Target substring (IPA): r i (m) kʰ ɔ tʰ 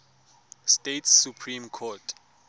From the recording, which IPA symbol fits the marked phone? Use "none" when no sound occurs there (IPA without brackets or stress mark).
m